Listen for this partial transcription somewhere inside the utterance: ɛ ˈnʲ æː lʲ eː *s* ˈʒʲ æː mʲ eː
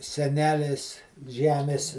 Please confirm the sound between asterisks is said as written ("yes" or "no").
yes